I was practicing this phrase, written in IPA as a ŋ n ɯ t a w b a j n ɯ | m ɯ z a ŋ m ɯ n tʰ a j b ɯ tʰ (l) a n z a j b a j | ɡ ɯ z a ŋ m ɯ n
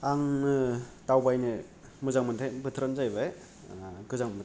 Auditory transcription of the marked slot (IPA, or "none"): ɾ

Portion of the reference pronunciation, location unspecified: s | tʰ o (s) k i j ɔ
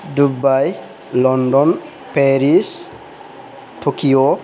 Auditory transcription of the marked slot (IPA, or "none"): none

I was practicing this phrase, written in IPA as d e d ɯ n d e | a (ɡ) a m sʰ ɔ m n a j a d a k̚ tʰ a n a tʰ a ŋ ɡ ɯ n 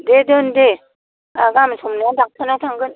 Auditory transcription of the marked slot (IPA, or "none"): ɡ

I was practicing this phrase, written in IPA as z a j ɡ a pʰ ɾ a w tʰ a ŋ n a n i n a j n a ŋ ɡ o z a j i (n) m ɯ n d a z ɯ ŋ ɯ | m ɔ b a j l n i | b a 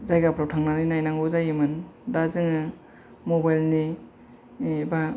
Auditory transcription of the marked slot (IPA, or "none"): none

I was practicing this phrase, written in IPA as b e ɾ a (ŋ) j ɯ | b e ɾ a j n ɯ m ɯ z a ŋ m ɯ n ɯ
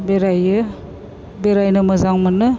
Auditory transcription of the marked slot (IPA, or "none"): none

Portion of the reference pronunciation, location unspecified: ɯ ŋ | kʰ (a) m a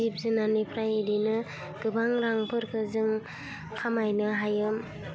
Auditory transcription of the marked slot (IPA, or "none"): a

